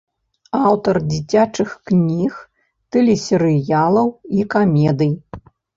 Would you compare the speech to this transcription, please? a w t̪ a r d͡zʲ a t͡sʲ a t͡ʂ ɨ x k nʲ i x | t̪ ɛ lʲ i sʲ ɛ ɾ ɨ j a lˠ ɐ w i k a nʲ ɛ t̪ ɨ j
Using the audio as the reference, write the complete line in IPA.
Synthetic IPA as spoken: a w t̪ ɐ r d͡zʲ i t͡sʲ a t͡ʂ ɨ x k nʲ i x | t̪ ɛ lʲ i sʲ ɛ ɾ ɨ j a lˠ ɐ w i k a mʲ ɛ d̪ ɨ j